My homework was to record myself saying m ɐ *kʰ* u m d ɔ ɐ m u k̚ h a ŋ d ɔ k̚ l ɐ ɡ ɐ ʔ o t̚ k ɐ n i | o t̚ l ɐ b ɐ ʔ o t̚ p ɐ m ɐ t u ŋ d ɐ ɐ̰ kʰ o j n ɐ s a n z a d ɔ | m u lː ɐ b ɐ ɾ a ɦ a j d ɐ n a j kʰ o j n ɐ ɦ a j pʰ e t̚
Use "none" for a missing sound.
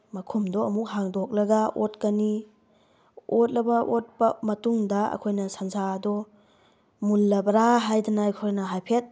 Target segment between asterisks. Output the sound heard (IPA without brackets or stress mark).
kʰ